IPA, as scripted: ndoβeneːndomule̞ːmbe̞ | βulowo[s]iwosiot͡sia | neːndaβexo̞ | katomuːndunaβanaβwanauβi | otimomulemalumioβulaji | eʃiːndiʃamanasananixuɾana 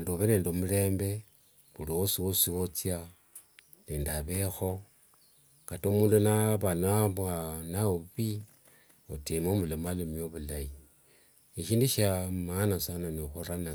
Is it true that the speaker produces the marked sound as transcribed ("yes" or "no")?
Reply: yes